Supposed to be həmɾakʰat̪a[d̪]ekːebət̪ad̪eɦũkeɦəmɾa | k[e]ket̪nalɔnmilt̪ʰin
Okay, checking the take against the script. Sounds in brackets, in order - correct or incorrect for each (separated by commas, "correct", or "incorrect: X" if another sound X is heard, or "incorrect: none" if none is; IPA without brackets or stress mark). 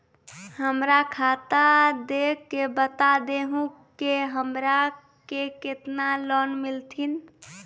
correct, correct